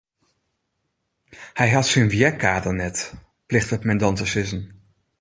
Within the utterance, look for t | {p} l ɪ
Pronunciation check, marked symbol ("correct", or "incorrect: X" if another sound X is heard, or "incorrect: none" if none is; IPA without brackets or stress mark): correct